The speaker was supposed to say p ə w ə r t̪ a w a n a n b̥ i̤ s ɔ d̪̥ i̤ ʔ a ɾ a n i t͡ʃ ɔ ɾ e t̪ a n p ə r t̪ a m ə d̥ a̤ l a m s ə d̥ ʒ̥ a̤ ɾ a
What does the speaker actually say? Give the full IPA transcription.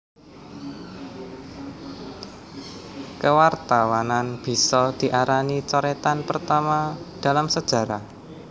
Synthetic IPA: k ə w a r t̪ a w a n a n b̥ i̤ s ɔ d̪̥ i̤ ʔ a ɾ a n i t͡ʃ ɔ ɾ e t̪ a n p ə r t̪ a m a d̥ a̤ l a m s ə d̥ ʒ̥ a̤ ɾ a